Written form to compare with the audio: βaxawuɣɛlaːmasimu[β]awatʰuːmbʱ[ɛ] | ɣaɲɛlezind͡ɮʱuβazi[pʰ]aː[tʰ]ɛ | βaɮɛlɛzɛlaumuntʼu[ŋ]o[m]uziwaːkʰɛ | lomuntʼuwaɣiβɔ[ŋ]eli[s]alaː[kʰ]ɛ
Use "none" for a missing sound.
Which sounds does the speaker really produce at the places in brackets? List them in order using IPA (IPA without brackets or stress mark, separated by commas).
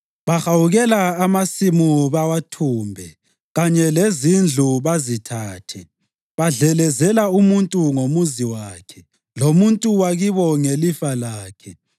β, ɛ, tʰ, tʰ, ŋ, m, ŋ, f, kʰ